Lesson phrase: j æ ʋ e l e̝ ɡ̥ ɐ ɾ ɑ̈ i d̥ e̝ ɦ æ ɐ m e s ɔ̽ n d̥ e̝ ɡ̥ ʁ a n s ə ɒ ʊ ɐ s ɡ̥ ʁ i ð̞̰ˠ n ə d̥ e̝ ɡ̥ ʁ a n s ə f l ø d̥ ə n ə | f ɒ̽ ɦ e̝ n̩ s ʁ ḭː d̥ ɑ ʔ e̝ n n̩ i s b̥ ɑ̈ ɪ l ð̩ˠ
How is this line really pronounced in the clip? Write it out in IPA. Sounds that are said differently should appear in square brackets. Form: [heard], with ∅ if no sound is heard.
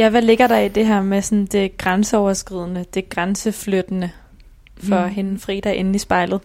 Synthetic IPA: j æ ʋ [æ] l e̝ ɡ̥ ɐ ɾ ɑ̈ i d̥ e̝ ɦ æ ɐ m e s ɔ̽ n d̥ e̝ ɡ̥ ʁ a n s ə ɒ ʊ ɐ s ɡ̥ ʁ i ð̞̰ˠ n ə d̥ e̝ ɡ̥ ʁ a n s ə f l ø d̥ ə n ə | f ɒ̽ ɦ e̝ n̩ [f] ʁ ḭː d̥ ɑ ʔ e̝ n n̩ i s b̥ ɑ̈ ɪ l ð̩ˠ